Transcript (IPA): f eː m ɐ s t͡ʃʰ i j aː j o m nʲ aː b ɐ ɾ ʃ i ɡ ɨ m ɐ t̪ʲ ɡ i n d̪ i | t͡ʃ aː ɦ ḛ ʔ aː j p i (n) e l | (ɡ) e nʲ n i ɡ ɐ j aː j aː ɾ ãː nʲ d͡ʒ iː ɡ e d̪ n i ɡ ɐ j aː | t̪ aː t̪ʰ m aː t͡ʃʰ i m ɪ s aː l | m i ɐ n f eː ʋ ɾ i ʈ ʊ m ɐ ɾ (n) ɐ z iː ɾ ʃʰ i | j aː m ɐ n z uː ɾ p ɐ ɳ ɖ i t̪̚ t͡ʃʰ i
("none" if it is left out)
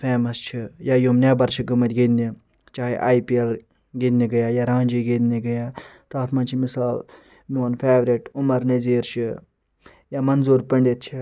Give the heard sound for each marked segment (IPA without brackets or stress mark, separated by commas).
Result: none, ɡ, n